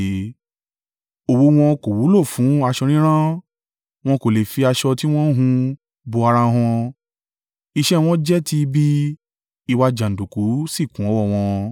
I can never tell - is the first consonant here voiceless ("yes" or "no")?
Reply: no